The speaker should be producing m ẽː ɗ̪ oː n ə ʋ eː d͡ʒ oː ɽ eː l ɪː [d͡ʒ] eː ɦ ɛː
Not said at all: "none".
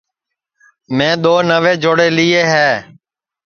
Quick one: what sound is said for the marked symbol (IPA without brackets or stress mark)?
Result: none